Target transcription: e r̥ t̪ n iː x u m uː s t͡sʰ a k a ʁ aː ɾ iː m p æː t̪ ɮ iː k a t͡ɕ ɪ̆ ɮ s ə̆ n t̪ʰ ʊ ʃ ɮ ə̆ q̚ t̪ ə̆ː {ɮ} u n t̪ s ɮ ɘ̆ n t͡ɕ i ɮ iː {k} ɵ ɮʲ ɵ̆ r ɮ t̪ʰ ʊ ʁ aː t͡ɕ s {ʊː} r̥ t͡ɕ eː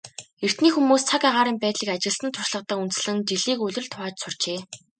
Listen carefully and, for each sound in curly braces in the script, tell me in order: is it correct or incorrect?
incorrect: none, correct, incorrect: ʊ

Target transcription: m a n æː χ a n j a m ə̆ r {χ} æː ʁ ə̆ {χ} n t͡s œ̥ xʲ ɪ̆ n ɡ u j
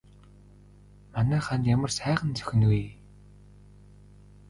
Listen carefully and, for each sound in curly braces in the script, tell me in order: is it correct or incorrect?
incorrect: s, incorrect: none

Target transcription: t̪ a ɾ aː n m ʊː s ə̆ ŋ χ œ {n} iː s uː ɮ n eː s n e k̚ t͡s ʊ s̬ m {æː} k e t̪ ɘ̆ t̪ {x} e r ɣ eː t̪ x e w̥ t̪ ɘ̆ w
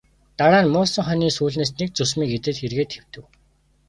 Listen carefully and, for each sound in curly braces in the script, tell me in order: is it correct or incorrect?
correct, incorrect: iː, correct

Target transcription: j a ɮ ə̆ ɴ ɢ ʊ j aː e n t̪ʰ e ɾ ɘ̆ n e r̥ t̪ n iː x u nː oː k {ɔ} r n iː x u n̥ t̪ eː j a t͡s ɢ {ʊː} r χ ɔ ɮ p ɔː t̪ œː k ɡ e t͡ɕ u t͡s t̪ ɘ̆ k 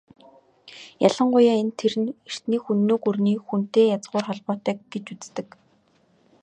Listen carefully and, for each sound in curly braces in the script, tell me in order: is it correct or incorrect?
incorrect: u, correct

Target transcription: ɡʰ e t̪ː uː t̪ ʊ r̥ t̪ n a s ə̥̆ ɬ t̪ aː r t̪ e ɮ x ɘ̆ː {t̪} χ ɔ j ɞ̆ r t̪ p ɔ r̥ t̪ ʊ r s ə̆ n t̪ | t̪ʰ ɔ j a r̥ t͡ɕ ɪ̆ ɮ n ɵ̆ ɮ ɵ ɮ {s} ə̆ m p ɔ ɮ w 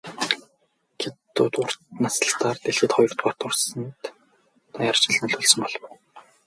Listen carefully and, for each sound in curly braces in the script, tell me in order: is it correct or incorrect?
correct, correct

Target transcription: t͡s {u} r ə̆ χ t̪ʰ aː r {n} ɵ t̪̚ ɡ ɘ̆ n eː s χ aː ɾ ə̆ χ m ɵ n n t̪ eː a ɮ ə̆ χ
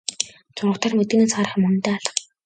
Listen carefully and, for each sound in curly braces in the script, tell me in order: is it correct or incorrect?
incorrect: ʊ, incorrect: m

